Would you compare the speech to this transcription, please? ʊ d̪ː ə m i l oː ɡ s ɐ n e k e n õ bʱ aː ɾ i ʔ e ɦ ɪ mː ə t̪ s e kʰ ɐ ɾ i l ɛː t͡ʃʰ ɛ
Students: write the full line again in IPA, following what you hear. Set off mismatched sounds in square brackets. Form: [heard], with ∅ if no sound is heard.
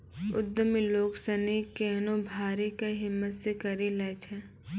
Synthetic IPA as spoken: ʊ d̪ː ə m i l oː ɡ s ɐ n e k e n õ bʱ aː ɾ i [k] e ɦ ɪ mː ə t̪ s e [k] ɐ ɾ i l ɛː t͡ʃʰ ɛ